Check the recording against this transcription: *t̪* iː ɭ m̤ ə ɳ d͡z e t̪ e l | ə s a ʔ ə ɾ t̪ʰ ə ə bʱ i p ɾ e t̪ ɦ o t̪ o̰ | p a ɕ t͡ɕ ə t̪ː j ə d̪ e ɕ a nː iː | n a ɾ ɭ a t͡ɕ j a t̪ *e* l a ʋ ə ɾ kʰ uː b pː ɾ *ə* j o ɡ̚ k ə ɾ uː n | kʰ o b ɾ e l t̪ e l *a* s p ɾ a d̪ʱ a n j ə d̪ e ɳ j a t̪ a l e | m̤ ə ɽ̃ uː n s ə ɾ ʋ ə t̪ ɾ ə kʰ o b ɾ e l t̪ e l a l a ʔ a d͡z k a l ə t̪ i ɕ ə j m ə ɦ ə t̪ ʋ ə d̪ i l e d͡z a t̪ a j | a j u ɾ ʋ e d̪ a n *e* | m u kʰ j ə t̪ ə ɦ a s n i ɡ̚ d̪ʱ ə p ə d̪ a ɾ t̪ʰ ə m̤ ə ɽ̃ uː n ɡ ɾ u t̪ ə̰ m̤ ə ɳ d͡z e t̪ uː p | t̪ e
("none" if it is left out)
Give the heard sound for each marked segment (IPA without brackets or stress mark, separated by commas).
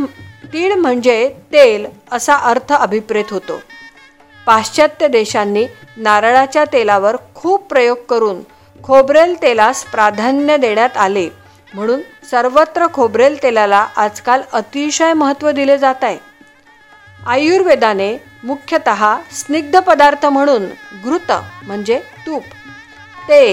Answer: t̪, e, ə, a, e